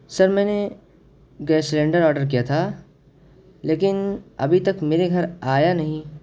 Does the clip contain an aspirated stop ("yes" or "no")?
yes